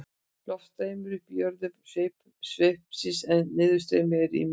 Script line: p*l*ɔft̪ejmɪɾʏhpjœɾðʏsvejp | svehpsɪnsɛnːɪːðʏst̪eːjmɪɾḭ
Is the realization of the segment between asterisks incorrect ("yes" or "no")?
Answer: no